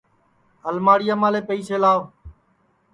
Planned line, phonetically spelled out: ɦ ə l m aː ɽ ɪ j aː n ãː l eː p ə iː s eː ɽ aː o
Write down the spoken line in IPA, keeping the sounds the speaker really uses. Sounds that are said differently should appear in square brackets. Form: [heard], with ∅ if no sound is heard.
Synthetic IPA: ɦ ə l m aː ɽ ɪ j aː [m] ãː l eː p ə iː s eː [l] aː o